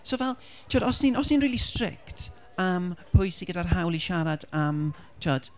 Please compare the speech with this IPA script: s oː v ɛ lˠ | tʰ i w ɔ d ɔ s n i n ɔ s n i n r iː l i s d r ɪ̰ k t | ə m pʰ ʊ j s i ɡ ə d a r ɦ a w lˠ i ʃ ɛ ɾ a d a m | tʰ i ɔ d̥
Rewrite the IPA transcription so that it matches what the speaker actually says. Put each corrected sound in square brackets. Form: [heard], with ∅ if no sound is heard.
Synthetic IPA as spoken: s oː v ɛ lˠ | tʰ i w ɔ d ɔ s n i n ɔ s n i n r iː l i s [t] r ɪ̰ k t | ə m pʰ ʊ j s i ɡ ə d a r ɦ a w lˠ i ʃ [a] ɾ a d a m | tʰ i ɔ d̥